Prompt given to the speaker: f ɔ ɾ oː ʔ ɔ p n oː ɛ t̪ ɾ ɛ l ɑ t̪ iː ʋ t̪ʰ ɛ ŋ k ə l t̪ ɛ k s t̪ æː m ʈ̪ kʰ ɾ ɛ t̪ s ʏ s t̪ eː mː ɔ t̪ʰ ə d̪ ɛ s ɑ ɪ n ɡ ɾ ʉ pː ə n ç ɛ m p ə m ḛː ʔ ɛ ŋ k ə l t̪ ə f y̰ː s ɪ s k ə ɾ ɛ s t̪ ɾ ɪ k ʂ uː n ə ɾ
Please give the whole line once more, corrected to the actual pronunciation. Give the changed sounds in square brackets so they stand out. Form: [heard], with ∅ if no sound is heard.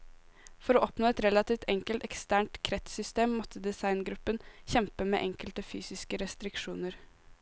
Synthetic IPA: f ɔ ɾ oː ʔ ɔ p n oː ɛ t̪ ɾ ɛ l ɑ t̪ iː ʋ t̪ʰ ɛ ŋ k ə l t̪ ɛ k s t̪ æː [ɳ] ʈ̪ kʰ ɾ ɛ t̪ s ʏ s t̪ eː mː ɔ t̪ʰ ə d̪ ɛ s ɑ ɪ n ɡ ɾ ʉ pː ə n ç ɛ m p ə m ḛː ʔ ɛ ŋ k ə l t̪ ə f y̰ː s ɪ s k ə ɾ ɛ s t̪ ɾ ɪ k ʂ uː n ə ɾ